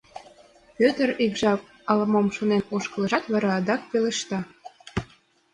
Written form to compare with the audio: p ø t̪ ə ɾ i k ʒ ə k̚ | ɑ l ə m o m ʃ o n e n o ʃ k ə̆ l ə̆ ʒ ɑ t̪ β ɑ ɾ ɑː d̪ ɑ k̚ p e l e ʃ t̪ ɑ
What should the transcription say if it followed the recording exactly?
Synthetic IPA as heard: p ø t̪ ə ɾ i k ʒ ɑ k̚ | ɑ l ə m o m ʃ o n e n o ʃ k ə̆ l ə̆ ʒ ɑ t̪ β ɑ ɾ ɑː d̪ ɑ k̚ p e l e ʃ t̪ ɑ

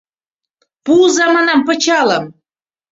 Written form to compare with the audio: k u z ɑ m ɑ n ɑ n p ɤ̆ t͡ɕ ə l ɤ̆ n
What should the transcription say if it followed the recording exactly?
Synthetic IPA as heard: p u z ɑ m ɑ n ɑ m p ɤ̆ t͡ɕ ɑ l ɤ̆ m

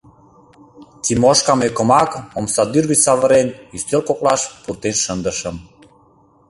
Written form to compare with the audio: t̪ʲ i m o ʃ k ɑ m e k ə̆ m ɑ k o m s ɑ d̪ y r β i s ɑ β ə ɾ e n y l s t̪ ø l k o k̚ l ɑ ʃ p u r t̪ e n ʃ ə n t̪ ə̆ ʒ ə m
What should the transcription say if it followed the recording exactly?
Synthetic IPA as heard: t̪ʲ i m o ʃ k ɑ m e k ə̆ m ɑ k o m s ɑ d̪ y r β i s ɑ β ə ɾ e n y s t̪ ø l k o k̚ l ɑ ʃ p u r t̪ e n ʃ ə n d̪ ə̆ ʃ ə m

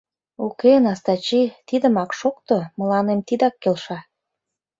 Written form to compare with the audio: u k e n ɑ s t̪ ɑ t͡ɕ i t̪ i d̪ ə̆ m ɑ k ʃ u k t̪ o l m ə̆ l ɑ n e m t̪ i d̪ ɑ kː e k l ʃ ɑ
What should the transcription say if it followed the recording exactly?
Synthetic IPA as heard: u k e n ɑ s t̪ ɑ t͡ɕ i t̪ i d̪ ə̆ m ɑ k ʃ o k t̪ o m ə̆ l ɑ n e m t̪ i d̪ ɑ kː e l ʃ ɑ

